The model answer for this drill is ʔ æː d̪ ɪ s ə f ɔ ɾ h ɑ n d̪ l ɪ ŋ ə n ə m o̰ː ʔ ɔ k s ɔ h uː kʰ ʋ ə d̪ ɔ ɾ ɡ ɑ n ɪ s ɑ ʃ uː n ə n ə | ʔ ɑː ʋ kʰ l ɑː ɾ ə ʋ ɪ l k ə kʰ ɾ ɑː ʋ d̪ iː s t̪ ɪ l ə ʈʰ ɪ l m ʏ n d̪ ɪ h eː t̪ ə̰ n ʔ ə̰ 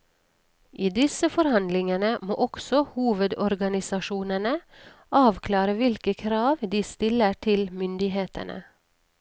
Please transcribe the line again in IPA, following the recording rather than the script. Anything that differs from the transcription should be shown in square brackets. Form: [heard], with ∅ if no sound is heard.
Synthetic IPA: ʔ [iː] d̪ ɪ s ə f ɔ ɾ h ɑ n d̪ l ɪ ŋ ə n ə m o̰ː ʔ ɔ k s ɔ h uː [∅] ʋ ə d̪ ɔ ɾ ɡ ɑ n ɪ s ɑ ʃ uː n ə n ə | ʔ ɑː ʋ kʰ l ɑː ɾ ə ʋ ɪ l k ə kʰ ɾ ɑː ʋ d̪ iː s t̪ ɪ l ə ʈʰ ɪ l m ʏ n d̪ ɪ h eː t̪ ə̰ n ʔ ə̰